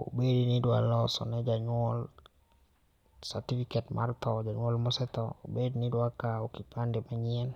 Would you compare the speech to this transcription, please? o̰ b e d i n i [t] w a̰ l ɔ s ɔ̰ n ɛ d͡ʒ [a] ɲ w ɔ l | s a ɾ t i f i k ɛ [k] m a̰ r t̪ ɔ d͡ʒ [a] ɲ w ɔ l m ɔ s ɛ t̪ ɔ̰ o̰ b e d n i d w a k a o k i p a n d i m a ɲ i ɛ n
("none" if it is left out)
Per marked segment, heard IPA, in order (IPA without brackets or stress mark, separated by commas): d, a, t, a